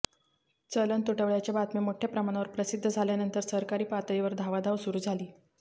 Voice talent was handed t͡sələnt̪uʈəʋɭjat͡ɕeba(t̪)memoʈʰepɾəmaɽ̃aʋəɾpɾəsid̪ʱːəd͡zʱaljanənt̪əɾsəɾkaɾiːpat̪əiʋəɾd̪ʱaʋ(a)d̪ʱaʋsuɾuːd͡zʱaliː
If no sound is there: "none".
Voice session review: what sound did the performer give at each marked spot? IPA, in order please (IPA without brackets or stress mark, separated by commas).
t̪, a